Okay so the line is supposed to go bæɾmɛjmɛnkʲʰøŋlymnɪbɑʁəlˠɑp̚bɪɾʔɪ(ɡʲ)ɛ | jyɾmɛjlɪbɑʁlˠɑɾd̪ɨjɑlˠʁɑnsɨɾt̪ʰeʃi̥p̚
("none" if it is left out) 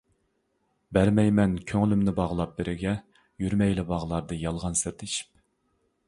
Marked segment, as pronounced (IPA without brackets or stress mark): ɡʲ